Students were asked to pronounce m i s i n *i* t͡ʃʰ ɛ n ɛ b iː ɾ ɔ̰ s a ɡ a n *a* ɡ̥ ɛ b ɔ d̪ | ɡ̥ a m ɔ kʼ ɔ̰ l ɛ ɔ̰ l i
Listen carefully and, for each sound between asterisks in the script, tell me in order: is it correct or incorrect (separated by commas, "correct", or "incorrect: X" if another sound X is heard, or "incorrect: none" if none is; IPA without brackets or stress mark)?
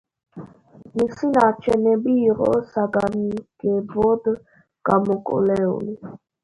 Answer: incorrect: a, incorrect: i